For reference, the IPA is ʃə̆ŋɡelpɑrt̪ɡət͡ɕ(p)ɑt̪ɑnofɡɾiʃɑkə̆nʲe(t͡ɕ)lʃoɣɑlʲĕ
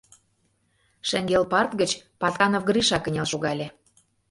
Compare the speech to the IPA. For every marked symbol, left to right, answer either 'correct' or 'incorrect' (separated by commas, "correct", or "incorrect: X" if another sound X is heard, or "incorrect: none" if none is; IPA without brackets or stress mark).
correct, incorrect: none